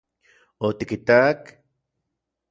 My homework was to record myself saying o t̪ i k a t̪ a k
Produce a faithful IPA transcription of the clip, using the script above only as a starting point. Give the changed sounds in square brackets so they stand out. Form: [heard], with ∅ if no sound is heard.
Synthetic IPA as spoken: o t̪ i k [i] t̪ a k